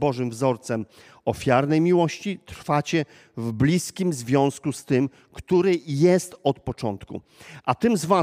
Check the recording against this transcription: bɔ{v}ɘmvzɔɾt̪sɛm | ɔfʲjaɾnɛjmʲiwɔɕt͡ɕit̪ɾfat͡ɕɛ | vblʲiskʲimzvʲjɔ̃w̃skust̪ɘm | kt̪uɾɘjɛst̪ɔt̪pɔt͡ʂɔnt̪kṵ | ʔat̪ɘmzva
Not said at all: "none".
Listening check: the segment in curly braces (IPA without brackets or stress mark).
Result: ʐ